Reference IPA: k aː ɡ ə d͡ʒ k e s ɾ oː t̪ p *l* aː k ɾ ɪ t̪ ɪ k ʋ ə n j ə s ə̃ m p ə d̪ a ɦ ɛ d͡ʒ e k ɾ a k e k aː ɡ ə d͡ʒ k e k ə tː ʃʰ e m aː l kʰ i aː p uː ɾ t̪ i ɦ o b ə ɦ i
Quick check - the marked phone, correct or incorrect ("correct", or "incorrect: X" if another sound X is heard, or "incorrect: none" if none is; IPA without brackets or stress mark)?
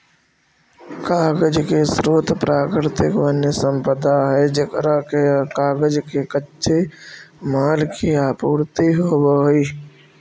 incorrect: ɾ